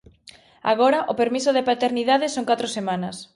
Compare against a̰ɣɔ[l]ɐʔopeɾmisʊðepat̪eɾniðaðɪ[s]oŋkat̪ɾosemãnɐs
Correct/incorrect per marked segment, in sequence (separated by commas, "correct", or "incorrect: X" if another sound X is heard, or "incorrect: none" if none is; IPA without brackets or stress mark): incorrect: ɾ, correct